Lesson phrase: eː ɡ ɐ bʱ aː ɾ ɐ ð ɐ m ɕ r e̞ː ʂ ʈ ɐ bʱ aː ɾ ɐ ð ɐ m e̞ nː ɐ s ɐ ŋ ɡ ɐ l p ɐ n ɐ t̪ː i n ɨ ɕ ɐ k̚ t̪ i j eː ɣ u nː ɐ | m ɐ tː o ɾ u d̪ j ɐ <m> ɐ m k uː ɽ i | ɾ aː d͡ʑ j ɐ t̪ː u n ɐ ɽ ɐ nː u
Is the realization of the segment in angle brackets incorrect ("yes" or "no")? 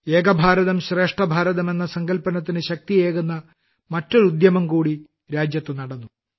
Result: no